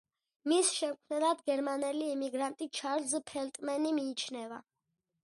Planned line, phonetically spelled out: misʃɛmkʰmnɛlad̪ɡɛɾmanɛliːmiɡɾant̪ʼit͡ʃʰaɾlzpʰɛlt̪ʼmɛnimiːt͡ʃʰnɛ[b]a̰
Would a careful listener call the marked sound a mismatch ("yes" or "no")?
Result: yes